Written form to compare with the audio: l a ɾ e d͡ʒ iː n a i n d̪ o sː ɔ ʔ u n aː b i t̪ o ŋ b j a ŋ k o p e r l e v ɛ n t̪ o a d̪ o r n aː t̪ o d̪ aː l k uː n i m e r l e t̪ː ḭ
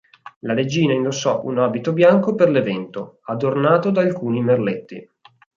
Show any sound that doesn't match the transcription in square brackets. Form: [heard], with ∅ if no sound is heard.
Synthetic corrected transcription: l a ɾ e d͡ʒ iː n a i n d̪ o sː ɔ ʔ u n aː b i t̪ o [∅] b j a ŋ k o p e r l e v ɛ n t̪ o a d̪ o r n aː t̪ o d̪ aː l k uː n i m e r l e t̪ː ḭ

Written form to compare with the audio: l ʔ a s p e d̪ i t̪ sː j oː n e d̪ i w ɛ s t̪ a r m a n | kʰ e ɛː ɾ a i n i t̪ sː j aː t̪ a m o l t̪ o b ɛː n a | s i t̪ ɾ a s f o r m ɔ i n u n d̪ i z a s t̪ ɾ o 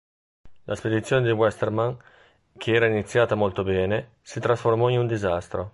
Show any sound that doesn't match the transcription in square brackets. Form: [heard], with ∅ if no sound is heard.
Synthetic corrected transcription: l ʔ a s p e d̪ i t̪ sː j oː n e d̪ i w ɛ s t̪ [e] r m a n | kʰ e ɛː ɾ a i n i t̪ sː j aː t̪ a m o l t̪ o b ɛː n [e] | s i t̪ ɾ a s f o r m ɔ i n u n d̪ i z a s t̪ ɾ o

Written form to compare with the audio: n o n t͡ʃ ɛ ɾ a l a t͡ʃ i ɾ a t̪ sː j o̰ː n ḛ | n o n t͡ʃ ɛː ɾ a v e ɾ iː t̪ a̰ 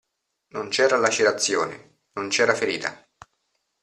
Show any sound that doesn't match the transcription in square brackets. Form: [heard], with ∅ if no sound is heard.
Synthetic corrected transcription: n o n t͡ʃ [ɛː] ɾ a l a t͡ʃ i ɾ a t̪ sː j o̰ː n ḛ | n o n t͡ʃ ɛː ɾ a [f] e ɾ iː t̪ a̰

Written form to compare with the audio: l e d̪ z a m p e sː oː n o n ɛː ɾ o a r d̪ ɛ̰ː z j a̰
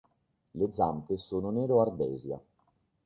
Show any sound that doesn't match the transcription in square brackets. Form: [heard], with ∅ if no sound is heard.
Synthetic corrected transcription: l e d̪ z a m p e [s] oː n o n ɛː ɾ o a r d̪ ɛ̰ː z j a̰

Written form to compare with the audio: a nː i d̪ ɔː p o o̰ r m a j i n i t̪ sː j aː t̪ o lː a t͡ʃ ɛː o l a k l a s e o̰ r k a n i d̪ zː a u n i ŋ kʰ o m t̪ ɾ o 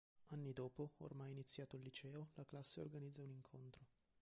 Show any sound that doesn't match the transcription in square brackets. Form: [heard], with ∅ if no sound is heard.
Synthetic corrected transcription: a nː i d̪ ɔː p o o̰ r m a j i n i t̪ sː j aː t̪ o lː [i] t͡ʃ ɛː o l a k l a [sː] e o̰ r [ɡ] a n i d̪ zː a u n i ŋ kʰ o [n] t̪ ɾ o

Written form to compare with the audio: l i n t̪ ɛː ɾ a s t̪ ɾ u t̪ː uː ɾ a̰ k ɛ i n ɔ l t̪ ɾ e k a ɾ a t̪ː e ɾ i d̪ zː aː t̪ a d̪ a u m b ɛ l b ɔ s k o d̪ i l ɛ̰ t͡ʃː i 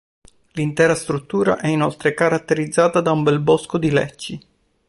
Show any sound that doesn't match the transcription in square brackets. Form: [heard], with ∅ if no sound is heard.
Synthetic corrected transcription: l i n t̪ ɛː ɾ a s t̪ ɾ u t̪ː uː ɾ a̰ [ʔ] ɛ i n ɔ l t̪ ɾ e k a ɾ a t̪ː e ɾ i d̪ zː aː t̪ a d̪ a u m b ɛ l b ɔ s k o d̪ i l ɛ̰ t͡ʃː i

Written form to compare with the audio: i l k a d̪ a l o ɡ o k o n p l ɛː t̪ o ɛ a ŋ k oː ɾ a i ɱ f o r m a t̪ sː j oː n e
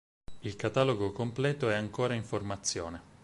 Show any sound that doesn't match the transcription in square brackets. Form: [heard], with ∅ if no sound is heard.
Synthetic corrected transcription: i l k a [t̪] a l o ɡ o k o [m] p l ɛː t̪ o ɛ a ŋ k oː ɾ a i ɱ f o r m a t̪ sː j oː n e

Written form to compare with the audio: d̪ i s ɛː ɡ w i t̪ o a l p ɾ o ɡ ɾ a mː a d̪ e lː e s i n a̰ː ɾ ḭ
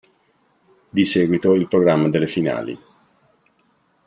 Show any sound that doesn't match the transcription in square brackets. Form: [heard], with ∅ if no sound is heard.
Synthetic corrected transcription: d̪ i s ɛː ɡ w i t̪ o [i] l p ɾ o ɡ ɾ a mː a d̪ e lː e [f] i n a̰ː [l] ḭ

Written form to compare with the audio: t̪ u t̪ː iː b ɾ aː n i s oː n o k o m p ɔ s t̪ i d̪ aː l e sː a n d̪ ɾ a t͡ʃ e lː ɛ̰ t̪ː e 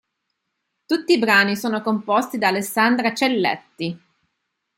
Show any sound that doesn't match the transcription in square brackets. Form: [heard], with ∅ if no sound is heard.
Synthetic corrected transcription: t̪ u t̪ː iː b ɾ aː n i s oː n o k o m p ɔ s t̪ i d̪ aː l e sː a n d̪ ɾ a t͡ʃ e lː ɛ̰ t̪ː [i]

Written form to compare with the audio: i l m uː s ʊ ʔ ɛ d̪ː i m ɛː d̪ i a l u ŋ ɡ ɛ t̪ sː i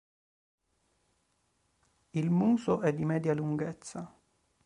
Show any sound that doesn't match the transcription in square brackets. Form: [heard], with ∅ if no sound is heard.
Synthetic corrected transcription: i l m uː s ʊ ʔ ɛ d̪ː i m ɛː d̪ [j] a l u ŋ ɡ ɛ t̪ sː [a]

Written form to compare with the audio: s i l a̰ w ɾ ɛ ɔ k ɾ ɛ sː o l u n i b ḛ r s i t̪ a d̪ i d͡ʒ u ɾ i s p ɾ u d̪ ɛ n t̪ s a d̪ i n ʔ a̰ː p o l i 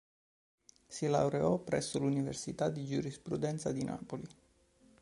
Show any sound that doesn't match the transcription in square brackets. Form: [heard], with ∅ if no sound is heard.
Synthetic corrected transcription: s i l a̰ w ɾ [e] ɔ [p] ɾ ɛ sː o l u n i [v] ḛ r s i t̪ a d̪ i d͡ʒ u ɾ i s p ɾ u d̪ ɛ n t̪ s a d̪ i n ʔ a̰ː p o l i

